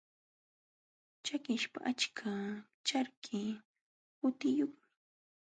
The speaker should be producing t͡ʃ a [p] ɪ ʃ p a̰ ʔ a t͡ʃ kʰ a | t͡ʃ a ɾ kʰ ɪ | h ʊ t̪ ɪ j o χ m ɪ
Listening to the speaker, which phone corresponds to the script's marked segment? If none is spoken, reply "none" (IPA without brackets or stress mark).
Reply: k